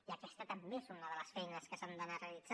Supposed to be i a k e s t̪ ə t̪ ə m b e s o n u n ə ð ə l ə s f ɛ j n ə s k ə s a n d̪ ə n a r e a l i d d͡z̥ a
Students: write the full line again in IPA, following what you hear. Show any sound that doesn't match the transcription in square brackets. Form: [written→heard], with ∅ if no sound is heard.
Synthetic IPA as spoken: i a k [e→ɛ] s t̪ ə t̪ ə m b e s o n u n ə ð ə l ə s f ɛ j n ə s k ə s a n d̪ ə n a r e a l i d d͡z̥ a